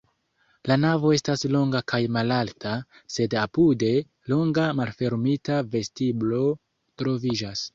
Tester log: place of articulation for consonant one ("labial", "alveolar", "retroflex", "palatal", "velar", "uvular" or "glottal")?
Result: alveolar